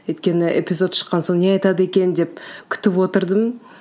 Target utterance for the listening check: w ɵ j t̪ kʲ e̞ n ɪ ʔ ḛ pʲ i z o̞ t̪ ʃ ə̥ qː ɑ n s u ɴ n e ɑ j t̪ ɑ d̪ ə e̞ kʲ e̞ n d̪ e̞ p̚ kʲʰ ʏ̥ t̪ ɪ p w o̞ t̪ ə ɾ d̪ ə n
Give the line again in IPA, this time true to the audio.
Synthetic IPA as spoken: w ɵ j t̪ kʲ e̞ n ɪ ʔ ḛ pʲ i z o̞ t̪ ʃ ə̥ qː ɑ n s o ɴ n e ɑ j t̪ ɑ d̪ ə e̞ kʲ e̞ n d̪ e̞ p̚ kʲʰ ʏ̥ t̪ ɪ p w o̞ t̪ ə ɾ d̪ ə m